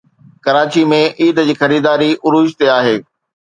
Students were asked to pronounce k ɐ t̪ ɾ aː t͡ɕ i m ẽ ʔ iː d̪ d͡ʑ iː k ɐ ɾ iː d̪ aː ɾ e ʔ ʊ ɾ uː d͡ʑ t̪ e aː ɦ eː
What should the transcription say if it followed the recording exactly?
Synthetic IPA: k ɐ ɾ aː t͡ɕ i m ẽ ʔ iː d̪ d͡ʑ iː x ɐ ɾ iː d̪ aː ɾ i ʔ ʊ ɾ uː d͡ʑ t̪ e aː ɦ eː

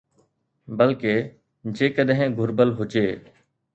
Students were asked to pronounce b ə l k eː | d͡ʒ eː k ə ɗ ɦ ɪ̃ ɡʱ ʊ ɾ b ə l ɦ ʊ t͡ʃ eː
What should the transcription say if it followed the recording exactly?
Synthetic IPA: b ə l k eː | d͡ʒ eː k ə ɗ ɦ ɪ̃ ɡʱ ʊ ɾ b ə l ɦ ʊ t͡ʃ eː

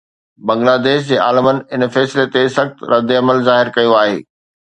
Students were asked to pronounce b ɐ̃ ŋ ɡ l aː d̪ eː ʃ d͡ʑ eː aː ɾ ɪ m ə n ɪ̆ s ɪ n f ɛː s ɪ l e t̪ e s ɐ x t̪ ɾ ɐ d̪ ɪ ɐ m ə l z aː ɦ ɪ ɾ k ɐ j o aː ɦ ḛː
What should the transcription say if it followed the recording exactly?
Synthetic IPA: b ɐ̃ ŋ ɡ l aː d̪ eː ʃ d͡ʑ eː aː l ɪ m ə n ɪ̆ ɪ n f ɛː s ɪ l e t̪ e s ɐ x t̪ ɾ ɐ d̪ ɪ ɐ m ə l z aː ɦ ɪ ɾ k ɐ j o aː ɦ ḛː

